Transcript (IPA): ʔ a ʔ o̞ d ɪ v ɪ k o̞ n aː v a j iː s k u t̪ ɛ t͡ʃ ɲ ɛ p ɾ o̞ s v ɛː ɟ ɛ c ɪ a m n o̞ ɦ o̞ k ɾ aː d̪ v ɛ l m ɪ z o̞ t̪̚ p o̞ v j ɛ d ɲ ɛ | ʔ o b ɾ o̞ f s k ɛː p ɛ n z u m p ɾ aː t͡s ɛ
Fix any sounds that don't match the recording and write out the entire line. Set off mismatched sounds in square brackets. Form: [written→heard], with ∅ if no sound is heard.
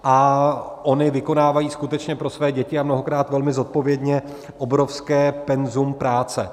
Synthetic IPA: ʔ a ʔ o̞ [d→n] ɪ v ɪ k o̞ n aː v a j iː s k u t̪ ɛ t͡ʃ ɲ ɛ p ɾ o̞ s v ɛː ɟ ɛ c ɪ a m n o̞ ɦ o̞ k ɾ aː [d̪→t̪] v ɛ l m ɪ z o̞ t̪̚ p o̞ v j ɛ d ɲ ɛ | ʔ o b ɾ o̞ f s k ɛː p ɛ n z u m p ɾ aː t͡s ɛ